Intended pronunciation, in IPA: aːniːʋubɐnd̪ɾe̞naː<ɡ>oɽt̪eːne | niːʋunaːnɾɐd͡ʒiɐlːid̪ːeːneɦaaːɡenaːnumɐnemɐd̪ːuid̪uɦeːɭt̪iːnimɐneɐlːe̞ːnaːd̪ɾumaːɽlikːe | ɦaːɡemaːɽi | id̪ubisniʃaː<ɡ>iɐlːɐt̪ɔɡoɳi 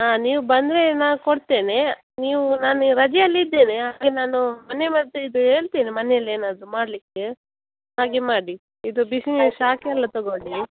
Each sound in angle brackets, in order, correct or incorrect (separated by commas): incorrect, incorrect